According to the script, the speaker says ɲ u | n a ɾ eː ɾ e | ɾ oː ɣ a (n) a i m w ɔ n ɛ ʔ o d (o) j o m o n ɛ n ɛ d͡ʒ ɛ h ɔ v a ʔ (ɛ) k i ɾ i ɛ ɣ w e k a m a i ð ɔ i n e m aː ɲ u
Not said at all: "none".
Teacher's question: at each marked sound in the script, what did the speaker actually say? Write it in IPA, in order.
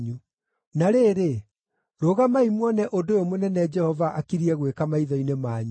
m, o, a

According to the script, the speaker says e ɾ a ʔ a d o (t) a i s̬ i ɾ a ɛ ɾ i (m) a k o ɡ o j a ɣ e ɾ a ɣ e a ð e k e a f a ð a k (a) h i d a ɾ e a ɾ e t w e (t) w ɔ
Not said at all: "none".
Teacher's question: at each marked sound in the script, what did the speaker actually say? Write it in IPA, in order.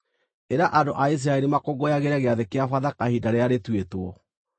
ʔ, m, a, t

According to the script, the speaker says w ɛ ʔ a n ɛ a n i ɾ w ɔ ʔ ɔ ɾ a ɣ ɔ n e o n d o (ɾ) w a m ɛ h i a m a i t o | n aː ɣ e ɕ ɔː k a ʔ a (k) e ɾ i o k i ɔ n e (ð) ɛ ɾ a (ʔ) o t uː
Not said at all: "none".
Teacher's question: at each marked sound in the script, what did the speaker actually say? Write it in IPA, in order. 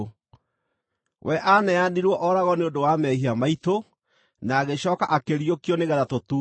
none, k, ɣ, t

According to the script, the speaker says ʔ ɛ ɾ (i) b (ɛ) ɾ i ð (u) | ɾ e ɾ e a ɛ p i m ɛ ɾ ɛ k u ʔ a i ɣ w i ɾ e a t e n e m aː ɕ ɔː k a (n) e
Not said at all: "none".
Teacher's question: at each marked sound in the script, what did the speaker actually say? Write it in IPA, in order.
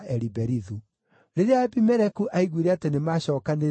i, ɛ, u, n

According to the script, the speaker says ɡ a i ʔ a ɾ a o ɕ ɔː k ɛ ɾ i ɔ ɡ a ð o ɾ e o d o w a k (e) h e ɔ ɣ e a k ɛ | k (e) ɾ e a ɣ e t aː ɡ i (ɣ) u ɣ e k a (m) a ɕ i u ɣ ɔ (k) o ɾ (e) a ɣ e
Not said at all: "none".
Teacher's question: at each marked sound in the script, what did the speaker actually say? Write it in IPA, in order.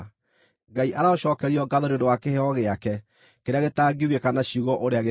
e, e, none, n, ʔ, e

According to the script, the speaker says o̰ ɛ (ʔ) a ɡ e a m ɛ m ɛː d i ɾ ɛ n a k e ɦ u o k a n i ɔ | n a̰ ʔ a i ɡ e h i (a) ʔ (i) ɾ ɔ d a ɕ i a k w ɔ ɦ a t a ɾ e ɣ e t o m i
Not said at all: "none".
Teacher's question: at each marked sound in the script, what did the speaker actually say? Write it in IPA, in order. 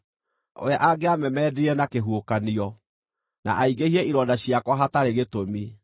ʔ, ɛ, i

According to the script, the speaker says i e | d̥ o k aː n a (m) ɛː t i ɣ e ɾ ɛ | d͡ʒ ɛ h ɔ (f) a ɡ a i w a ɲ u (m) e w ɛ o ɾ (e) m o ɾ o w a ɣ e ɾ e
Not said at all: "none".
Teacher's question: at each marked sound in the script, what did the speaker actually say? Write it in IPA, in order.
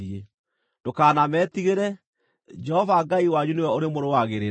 m, v, n, e

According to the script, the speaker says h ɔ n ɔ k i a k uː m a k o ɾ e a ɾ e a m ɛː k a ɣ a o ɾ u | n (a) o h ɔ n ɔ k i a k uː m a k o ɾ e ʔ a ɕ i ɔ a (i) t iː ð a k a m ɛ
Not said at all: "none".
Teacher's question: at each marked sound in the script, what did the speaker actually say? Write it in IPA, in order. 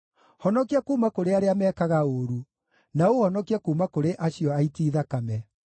a, i

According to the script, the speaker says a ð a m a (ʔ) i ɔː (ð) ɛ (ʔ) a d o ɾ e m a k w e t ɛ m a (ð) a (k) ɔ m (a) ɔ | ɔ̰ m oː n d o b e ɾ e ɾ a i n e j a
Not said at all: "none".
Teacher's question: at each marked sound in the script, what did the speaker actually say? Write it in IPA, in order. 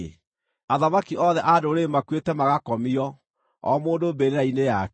k, ð, ʔ, ɣ, k, i

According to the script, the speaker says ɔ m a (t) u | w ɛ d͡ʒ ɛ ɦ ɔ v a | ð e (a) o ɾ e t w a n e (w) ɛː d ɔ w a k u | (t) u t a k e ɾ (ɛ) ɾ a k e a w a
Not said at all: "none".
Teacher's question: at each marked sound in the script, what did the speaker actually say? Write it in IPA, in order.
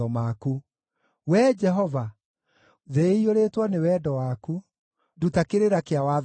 k, i, w, d, e

